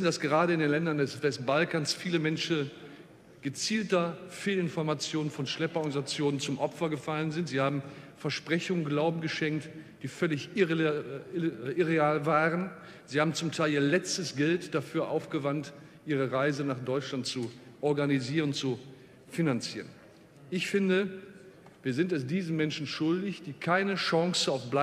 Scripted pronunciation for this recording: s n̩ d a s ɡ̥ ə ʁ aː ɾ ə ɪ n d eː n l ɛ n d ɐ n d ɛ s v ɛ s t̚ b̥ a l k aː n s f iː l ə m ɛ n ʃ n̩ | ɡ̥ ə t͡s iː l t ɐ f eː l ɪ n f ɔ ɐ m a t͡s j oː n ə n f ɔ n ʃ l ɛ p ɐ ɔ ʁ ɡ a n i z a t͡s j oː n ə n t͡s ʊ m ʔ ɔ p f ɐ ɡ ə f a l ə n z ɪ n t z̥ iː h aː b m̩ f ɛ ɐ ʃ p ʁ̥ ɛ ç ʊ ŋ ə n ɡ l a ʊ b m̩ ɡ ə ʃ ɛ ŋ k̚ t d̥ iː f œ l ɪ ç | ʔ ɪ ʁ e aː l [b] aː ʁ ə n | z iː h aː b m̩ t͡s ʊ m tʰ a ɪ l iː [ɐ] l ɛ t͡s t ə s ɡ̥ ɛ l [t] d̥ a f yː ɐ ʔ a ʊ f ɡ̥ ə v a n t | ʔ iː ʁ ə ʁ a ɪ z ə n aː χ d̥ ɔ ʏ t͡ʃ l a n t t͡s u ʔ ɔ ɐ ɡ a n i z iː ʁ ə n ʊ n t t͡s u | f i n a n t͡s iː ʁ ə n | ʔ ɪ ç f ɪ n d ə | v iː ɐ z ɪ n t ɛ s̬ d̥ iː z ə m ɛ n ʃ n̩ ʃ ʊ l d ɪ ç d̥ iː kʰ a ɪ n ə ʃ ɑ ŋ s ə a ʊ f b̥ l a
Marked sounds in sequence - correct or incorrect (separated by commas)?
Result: incorrect, correct, correct